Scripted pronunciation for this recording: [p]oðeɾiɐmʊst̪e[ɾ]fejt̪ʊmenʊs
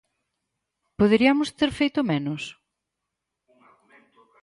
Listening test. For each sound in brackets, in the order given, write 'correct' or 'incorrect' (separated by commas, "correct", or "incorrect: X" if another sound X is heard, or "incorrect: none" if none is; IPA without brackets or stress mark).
correct, correct